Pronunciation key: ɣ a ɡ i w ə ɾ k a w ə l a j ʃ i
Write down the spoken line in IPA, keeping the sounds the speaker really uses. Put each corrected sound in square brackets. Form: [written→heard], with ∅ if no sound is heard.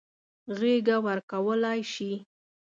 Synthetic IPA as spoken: ɣ [a→e] ɡ [i→a] w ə ɾ k a w ə l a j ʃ i

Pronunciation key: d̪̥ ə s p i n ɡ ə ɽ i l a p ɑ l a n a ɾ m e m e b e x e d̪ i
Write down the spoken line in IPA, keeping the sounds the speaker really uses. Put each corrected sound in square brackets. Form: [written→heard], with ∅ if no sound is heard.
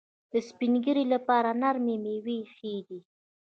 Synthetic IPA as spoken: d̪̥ ə s p i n ɡ ə [ɽ→ɾ] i l a p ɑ [l→ɾ] a n a ɾ m e m e [b→w] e x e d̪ i

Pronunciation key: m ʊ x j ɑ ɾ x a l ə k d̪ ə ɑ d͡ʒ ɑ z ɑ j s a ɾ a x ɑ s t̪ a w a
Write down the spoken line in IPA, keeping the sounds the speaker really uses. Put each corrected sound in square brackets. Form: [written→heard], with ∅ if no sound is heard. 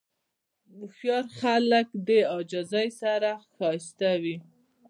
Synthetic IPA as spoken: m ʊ x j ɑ ɾ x a l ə k d̪ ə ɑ d͡ʒ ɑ z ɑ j s a ɾ a x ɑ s t̪ a w [a→i]

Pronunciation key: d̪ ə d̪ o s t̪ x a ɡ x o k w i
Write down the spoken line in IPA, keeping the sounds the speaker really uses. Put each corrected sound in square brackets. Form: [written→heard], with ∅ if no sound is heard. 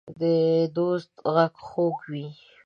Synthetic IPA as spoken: d̪ ə d̪ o s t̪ [x→ɣ] a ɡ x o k w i

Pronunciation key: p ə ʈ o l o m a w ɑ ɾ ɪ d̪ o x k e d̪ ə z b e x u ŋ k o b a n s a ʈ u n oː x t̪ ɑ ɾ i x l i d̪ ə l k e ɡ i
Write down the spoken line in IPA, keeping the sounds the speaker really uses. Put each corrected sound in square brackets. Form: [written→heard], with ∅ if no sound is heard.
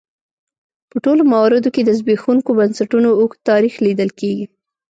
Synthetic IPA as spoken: p ə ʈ o l o m a w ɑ ɾ ɪ d̪ o [x→∅] k e d̪ ə z b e x u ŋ k o b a n s a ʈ u n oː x t̪ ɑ ɾ i x l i d̪ ə l k e ɡ i

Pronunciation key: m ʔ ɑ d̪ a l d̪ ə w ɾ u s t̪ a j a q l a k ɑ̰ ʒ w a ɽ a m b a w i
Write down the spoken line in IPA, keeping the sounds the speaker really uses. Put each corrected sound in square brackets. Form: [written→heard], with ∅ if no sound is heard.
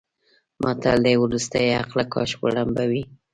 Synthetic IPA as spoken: m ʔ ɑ [d̪→t̪] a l d̪ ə w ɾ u s t̪ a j a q l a k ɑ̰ [ʒ→ʃ] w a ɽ a m b a w i

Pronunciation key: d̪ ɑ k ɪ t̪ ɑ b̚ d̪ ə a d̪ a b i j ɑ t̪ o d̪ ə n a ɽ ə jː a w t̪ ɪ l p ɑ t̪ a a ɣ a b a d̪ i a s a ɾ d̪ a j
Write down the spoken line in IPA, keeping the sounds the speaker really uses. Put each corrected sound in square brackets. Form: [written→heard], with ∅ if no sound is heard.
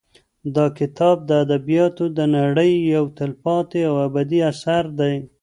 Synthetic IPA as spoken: d̪ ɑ k ɪ t̪ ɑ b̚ d̪ ə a d̪ a b i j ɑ t̪ o d̪ ə n a ɽ ə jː a w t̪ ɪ l p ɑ t̪ [a→e] a [ɣ→w] a b a d̪ i a s a ɾ d̪ a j

